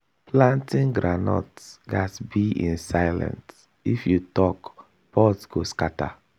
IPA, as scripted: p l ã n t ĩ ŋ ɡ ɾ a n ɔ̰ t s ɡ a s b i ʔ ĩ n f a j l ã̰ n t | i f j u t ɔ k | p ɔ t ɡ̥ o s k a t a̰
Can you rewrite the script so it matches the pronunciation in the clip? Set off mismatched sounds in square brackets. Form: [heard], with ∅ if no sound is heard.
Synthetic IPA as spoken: p l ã n t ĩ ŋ ɡ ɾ a n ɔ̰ t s ɡ a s b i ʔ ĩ n [s] a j l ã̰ n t | i f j u t ɔ k | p ɔ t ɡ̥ o s k a t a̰